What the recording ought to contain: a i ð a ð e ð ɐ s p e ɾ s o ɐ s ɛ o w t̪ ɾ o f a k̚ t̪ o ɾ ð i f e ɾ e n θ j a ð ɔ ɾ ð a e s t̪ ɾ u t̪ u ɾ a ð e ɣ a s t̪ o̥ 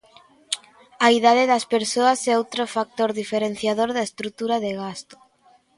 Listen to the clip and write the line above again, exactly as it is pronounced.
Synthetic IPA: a i ð a ð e ð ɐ s p e ɾ s o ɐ s ɛ o w t̪ ɾ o f a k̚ t̪ o ɾ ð i f e ɾ e n θ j a ð o ɾ ð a e s t̪ ɾ u t̪ u ɾ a ð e ɣ a s t̪ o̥